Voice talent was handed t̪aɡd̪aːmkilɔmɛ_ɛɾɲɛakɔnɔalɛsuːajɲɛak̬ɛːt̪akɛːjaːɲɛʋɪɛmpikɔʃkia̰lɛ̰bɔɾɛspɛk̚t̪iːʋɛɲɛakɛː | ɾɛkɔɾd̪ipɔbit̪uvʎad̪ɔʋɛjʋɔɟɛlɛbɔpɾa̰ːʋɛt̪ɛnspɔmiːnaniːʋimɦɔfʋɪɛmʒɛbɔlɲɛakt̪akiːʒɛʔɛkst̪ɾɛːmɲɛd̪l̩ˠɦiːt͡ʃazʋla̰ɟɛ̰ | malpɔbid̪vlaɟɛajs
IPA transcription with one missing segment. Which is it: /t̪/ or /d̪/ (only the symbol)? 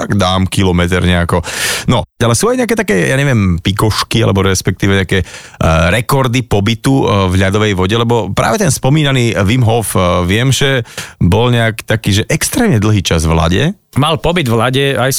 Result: t̪